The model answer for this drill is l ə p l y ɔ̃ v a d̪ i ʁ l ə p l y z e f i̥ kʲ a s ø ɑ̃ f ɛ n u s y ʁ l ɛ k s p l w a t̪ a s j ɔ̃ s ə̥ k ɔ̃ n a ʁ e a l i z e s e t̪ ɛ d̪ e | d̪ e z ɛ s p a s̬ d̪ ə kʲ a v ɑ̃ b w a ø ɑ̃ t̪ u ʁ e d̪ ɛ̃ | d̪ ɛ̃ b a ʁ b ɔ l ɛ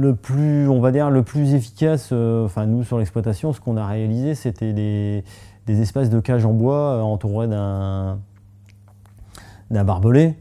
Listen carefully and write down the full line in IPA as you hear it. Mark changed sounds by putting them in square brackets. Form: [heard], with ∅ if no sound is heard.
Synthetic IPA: l ə p l y ɔ̃ v a d̪ i ʁ l ə p l y z e f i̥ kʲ a s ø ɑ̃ f [ɛ̃] n u s y ʁ l ɛ k s p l w a t̪ a s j ɔ̃ s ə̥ k ɔ̃ n a ʁ e a l i z e s e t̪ ɛ d̪ e | d̪ e z ɛ s p a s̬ d̪ ə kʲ a [ʒ] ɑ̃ b w a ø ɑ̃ t̪ u ʁ e d̪ ɛ̃ | d̪ ɛ̃ b a ʁ b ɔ l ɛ